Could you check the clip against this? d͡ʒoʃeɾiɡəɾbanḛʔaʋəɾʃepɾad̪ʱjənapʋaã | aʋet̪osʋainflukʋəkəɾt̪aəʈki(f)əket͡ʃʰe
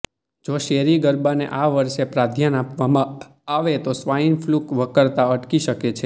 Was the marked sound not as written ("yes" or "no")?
yes